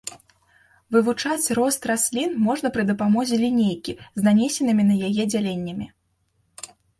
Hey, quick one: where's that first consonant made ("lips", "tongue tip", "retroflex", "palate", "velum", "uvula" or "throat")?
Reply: lips